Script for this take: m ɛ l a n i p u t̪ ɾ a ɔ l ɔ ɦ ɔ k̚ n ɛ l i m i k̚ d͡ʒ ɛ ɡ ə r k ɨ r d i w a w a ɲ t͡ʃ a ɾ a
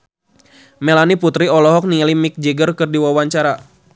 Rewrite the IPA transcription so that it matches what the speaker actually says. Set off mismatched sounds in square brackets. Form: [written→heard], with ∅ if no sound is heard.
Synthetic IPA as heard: m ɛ l a n i p u t̪ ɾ [a→i] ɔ l ɔ ɦ ɔ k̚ n [ɛ→i] l i m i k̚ d͡ʒ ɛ ɡ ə r k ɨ r d i w a w a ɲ t͡ʃ a ɾ a